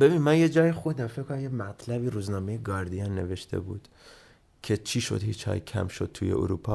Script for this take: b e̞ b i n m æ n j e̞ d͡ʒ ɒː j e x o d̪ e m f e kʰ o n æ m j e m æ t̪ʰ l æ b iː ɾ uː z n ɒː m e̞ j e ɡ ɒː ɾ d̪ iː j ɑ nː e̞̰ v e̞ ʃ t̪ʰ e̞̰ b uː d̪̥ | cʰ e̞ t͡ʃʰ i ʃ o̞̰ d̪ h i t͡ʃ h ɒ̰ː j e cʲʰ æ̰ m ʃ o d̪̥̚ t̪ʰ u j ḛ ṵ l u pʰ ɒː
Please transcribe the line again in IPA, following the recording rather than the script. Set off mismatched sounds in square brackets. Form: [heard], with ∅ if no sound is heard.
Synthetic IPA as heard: b e̞ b i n m æ n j e̞ d͡ʒ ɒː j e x o d̪ [æ] m f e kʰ o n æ m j e m æ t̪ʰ l æ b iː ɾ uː z n ɒː m e̞ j e ɡ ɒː ɾ d̪ [i] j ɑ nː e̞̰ v e̞ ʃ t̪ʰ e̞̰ b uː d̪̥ | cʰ e̞ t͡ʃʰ i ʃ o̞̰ d̪ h i t͡ʃ h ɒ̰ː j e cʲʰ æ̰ m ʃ o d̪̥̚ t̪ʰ u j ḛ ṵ [ɾ] u pʰ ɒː